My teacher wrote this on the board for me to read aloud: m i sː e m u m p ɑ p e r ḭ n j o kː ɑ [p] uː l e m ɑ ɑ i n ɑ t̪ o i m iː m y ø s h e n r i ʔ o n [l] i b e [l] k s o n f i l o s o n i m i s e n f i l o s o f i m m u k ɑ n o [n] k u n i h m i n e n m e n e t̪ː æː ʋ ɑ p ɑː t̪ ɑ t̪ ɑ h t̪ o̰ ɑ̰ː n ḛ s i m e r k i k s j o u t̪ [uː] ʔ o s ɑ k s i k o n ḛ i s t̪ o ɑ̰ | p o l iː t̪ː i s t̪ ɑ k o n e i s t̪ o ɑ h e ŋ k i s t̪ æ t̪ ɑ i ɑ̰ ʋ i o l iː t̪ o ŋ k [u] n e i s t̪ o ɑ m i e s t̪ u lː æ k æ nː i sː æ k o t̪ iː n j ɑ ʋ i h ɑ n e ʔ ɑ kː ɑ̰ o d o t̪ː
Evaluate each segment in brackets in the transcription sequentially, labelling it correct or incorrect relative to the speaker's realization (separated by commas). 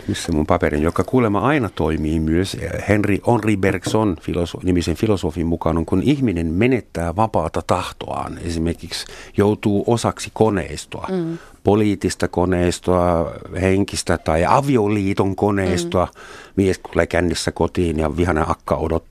incorrect, incorrect, incorrect, incorrect, correct, incorrect